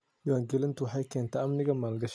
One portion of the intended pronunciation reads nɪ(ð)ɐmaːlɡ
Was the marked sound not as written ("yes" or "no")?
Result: yes